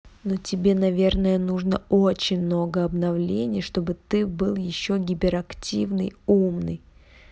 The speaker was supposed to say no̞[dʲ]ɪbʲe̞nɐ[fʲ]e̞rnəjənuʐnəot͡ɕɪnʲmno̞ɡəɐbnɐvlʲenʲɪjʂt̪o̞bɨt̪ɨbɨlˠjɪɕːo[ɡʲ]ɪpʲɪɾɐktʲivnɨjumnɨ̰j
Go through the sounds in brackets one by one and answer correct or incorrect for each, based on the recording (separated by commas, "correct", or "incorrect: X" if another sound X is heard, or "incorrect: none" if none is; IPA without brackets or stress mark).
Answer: incorrect: tʲ, incorrect: vʲ, correct